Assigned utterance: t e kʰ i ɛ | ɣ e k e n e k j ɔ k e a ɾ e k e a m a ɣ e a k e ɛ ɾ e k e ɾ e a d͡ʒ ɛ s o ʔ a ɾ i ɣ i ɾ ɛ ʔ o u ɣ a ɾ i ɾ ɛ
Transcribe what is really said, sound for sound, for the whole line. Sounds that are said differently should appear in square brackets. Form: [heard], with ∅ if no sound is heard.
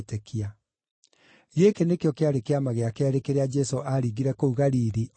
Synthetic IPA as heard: t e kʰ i [a] | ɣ e k e n e k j ɔ k e a ɾ e k e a m a ɣ e a k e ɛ ɾ e k e ɾ e a d͡ʒ ɛ s o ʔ a ɾ i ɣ i ɾ ɛ [k] o u ɣ a ɾ i ɾ [i]